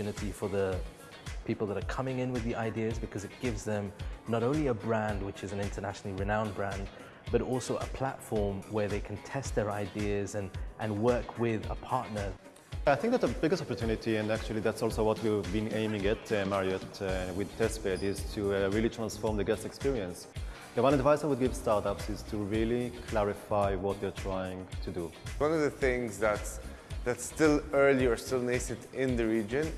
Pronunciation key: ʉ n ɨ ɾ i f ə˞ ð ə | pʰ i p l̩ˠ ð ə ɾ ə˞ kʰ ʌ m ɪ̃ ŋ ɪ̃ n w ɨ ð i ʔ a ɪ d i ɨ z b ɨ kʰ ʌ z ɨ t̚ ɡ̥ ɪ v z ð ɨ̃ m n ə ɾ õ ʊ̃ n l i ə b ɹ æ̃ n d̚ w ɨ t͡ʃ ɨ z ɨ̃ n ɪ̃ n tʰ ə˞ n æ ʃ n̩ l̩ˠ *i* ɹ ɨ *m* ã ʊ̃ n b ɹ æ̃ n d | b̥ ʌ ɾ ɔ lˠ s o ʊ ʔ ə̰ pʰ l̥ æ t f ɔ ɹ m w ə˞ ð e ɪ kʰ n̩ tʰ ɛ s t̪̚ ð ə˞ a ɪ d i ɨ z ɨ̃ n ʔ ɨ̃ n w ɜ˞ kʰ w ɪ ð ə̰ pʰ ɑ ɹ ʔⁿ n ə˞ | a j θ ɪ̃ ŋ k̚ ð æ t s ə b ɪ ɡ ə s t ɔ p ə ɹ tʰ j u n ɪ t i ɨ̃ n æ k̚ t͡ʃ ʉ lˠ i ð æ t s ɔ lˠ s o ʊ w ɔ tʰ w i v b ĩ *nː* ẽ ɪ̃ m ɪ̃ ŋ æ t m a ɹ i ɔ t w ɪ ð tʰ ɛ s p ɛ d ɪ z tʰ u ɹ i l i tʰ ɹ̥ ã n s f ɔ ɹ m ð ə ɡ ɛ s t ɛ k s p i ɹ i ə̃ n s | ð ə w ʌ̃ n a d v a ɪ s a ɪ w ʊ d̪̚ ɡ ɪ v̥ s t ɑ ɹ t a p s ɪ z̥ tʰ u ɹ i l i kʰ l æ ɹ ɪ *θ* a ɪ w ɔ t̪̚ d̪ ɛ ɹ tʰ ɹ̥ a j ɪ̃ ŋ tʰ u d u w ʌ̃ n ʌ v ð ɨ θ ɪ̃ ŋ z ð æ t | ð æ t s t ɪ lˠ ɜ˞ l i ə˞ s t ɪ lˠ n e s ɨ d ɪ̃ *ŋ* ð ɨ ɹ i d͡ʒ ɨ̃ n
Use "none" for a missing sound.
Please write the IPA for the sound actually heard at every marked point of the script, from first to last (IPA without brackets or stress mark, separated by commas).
i, n, n, f, n